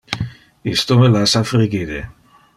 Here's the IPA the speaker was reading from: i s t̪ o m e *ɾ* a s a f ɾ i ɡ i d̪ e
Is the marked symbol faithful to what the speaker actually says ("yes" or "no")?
no